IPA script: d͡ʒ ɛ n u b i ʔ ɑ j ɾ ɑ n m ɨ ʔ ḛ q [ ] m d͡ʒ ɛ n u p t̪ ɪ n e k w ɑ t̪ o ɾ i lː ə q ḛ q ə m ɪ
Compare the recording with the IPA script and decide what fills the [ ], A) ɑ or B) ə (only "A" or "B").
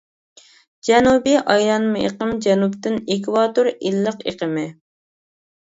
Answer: B